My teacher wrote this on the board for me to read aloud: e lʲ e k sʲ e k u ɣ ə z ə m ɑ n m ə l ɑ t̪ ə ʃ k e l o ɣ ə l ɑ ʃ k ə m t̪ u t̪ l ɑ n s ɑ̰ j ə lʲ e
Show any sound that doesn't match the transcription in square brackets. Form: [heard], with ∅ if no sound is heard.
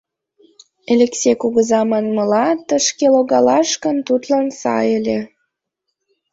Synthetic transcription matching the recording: e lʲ e k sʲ e k u ɣ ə z [ɑ] m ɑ n m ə l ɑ t̪ ə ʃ k e l o ɣ [ɑ] l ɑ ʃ k ə [n] t̪ u t̪ l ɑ n s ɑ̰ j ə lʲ e